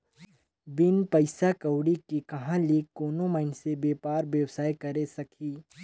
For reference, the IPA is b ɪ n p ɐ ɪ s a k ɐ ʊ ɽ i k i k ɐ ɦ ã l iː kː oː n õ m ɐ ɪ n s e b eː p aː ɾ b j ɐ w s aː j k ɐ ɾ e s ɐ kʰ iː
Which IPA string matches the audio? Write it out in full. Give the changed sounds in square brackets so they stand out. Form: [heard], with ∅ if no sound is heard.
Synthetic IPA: b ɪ n p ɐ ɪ s a k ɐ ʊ ɽ i k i k ɐ ɦ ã l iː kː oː n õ m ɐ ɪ n s e b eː p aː ɾ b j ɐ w s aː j k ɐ ɾ e s ɐ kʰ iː

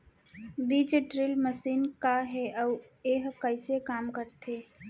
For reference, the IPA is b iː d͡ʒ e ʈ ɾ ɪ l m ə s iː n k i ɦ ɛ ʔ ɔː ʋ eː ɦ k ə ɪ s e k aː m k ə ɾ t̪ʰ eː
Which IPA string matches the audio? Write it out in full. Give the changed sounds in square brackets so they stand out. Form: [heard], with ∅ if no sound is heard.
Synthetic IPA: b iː d͡ʒ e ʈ ɾ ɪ l m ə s iː n k [a] ɦ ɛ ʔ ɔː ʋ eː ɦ k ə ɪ s e k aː m k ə ɾ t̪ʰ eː

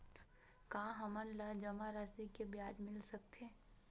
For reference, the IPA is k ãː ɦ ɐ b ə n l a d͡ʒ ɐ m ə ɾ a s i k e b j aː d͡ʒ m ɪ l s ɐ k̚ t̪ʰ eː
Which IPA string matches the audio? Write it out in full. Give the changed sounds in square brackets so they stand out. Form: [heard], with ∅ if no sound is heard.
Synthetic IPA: k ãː ɦ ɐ [m] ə n l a d͡ʒ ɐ m [a] ɾ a s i k e b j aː d͡ʒ m ɪ l s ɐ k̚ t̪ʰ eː

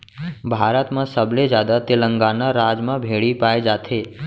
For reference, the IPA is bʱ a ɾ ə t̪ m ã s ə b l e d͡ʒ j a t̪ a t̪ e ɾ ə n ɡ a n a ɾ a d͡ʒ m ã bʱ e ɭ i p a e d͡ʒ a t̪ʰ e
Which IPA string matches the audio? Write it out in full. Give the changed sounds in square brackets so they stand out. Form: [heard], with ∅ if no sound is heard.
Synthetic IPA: bʱ a ɾ ə t̪ m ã s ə b l e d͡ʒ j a [d̪] a t̪ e [l] ə [ŋ] ɡ a n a ɾ a d͡ʒ m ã bʱ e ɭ i p a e d͡ʒ a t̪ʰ e

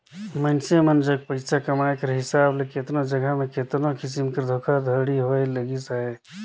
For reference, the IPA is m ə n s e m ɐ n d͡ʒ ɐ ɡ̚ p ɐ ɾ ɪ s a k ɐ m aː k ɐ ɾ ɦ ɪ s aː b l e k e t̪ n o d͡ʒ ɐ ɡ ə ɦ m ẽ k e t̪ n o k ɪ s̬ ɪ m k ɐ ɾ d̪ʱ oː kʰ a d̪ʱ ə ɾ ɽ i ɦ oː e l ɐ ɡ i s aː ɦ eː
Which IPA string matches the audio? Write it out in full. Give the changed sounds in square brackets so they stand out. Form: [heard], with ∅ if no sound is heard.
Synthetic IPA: m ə n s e m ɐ n d͡ʒ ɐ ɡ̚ p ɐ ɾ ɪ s a k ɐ m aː k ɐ ɾ ɦ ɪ s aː b l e k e t̪ n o d͡ʒ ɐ ɡ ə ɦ m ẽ k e t̪ n o k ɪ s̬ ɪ m k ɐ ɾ d̪ʱ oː kʰ a d̪ʱ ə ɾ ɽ i ɦ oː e l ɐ ɡ i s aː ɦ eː

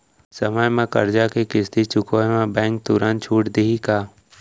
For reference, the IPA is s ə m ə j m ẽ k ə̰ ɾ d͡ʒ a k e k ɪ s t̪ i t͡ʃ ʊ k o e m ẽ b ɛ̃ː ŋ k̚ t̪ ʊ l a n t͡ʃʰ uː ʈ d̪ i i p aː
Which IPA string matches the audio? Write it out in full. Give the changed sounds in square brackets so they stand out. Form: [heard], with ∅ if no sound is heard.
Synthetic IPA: s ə m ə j m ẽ k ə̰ ɾ d͡ʒ a k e k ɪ s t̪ i t͡ʃ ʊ k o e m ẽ b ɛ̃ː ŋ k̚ t̪ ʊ [ɾ] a n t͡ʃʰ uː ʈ d̪ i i [k] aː

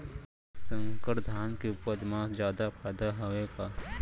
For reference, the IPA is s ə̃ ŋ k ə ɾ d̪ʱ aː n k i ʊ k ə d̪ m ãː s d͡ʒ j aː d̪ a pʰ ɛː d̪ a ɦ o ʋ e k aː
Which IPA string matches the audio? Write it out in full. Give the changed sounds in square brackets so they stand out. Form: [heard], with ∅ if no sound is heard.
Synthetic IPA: s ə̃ ŋ k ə ɾ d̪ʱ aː n k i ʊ [p] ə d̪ m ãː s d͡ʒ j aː d̪ a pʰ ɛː d̪ a ɦ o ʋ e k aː

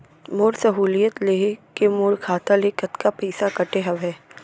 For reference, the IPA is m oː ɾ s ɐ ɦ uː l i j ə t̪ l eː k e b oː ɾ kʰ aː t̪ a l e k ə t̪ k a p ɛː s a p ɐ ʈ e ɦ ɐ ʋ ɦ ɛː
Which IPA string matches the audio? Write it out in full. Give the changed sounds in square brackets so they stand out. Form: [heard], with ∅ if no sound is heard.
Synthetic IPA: m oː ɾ s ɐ ɦ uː l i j ə t̪ l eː k e [m] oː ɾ kʰ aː t̪ a l e k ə t̪ k a p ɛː s a [k] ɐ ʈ e ɦ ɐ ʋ ɦ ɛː

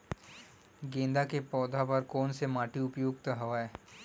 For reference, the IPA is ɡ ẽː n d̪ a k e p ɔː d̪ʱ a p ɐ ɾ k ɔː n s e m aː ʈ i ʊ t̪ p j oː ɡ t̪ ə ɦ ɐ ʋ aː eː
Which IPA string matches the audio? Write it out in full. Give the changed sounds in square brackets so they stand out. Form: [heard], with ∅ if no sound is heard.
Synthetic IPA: ɡ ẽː n d̪ a k e p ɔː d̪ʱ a p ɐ ɾ k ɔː n s e m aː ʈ i ʊ [∅] p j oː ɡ t̪ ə ɦ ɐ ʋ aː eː

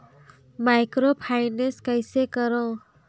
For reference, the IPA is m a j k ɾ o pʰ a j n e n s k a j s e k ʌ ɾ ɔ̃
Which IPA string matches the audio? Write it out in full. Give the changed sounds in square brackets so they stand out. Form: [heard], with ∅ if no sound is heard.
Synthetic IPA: m a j k ɾ o pʰ a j n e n s k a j s e k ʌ ɾ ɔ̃

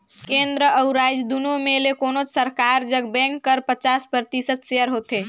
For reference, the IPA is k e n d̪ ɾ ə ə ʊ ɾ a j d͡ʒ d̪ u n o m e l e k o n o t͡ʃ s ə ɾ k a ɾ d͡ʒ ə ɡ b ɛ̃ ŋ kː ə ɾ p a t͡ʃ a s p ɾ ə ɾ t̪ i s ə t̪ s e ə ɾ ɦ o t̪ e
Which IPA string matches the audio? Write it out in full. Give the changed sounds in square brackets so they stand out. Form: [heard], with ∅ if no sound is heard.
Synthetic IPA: k e n d̪ ɾ ə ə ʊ ɾ a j d͡ʒ d̪ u n o m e l e k o n o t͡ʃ s ə ɾ k a ɾ d͡ʒ ə ɡ b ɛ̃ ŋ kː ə ɾ p [ə] t͡ʃ a s p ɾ ə ɾ t̪ i s ə t̪ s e ə ɾ ɦ o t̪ e

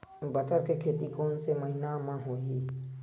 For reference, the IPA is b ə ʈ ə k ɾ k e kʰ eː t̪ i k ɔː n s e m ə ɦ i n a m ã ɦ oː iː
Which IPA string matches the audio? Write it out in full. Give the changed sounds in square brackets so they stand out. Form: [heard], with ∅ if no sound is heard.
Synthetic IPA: b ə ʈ ə [∅] ɾ k e kʰ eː t̪ i k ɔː n s e m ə ɦ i n a m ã ɦ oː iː

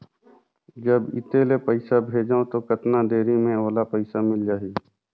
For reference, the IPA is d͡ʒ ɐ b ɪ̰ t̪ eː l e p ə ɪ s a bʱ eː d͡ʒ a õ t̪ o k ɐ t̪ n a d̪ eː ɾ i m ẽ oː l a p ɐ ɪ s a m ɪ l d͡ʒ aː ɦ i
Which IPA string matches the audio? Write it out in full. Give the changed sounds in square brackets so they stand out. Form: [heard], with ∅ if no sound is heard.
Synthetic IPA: d͡ʒ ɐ b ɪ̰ t̪ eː l e p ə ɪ s a bʱ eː d͡ʒ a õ t̪ o k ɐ t̪ n a d̪ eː ɾ i m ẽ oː l a p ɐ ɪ s a m ɪ l d͡ʒ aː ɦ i

